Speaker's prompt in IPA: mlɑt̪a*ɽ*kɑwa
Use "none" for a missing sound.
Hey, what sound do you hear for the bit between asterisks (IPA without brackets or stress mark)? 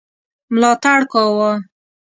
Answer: ɽ